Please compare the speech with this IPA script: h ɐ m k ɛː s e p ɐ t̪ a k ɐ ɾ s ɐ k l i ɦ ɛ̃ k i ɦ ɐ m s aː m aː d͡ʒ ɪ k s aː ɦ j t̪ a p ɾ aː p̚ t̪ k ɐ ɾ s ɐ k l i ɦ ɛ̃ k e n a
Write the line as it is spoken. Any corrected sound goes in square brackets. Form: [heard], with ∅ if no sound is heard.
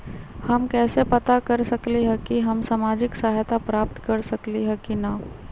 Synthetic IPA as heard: h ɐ m k ɛː s e p ɐ t̪ a k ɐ ɾ s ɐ k l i ɦ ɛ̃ k i ɦ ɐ m s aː m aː d͡ʒ ɪ k s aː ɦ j t̪ a p ɾ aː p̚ t̪ k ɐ ɾ s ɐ k l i ɦ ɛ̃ k [i] n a